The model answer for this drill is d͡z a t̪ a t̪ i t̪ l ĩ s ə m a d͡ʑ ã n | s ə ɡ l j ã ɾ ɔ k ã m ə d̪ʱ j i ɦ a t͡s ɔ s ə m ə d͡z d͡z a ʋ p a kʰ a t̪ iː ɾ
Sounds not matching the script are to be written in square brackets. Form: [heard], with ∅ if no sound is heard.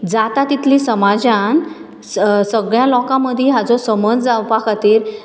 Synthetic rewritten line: d͡z a t̪ a t̪ i t̪ l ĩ s ə m a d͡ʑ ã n | s ə ɡ [ɭ] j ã [l] ɔ k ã m ə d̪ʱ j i ɦ a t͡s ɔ s ə m ə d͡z d͡z a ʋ p a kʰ a t̪ iː ɾ